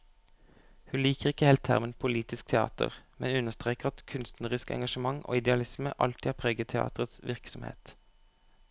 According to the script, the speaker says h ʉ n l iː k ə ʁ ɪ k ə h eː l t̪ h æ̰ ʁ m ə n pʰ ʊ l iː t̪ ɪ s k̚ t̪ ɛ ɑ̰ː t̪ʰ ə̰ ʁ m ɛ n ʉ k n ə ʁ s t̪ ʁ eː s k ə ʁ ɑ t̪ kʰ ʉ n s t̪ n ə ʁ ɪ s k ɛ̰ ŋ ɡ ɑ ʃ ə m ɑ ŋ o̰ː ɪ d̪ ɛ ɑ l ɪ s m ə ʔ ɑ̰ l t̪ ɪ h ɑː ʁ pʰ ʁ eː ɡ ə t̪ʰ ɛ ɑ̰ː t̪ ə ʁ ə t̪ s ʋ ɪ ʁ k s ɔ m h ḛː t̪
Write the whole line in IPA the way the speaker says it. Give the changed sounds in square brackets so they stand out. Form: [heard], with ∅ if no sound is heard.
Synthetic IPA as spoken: h ʉ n l iː k ə ʁ ɪ k ə h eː l t̪ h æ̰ ʁ m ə n pʰ ʊ l iː t̪ ɪ s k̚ [t̪ʰ] ɛ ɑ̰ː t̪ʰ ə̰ ʁ m ɛ n ʉ [∅] n ə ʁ s t̪ ʁ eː [∅] k ə ʁ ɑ t̪ kʰ ʉ n s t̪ n ə ʁ ɪ s k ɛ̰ ŋ ɡ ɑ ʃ ə m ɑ ŋ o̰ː ɪ d̪ ɛ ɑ l ɪ s m ə ʔ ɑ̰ l t̪ ɪ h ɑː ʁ pʰ ʁ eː ɡ ə t̪ʰ ɛ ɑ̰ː t̪ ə ʁ ə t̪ s ʋ ɪ ʁ k s ɔ m h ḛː t̪

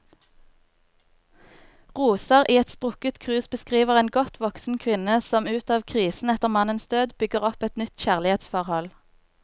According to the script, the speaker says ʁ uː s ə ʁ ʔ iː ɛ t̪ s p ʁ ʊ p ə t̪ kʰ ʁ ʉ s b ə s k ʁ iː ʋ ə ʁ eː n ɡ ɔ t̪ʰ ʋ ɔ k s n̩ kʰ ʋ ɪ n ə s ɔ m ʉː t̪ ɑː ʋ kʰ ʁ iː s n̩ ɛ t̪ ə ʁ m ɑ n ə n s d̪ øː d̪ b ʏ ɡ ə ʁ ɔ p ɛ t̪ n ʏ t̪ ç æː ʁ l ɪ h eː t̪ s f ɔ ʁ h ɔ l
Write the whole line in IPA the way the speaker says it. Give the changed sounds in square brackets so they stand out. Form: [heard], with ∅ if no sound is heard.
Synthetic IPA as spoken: ʁ uː s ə ʁ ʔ iː ɛ t̪ s p ʁ ʊ [k] ə t̪ kʰ ʁ [ʉː] s b ə s k ʁ iː ʋ ə ʁ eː n ɡ ɔ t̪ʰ ʋ ɔ k s n̩ kʰ ʋ ɪ n ə s ɔ m ʉː t̪ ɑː ʋ kʰ ʁ iː s n̩ ɛ t̪ ə ʁ m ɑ n ə n s d̪ øː d̪ b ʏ ɡ ə ʁ ɔ p ɛ t̪ n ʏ t̪ ç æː ʁ l ɪ h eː t̪ s f ɔ ʁ h ɔ l

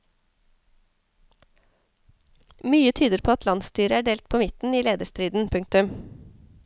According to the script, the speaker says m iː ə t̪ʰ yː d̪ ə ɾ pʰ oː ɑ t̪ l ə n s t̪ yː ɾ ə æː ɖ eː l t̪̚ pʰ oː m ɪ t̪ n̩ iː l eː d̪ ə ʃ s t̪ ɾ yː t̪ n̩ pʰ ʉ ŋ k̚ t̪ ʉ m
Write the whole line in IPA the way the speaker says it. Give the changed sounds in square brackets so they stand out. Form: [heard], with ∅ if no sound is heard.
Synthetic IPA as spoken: m [yː] ə t̪ʰ yː d̪ ə ɾ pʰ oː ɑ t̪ l [ɑ] n s t̪ yː ɾ ə æː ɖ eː l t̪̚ pʰ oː m ɪ t̪ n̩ iː l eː d̪ ə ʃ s t̪ ɾ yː [d̪] n̩ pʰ ʉ ŋ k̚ t̪ ʉ m

